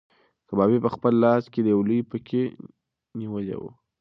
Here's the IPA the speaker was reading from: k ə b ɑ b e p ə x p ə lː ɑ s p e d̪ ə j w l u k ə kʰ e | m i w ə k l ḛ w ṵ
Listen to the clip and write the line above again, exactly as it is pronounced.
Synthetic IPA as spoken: k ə b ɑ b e p ə x p ə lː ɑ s k e d̪ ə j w l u p ə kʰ e | n i w ə l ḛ w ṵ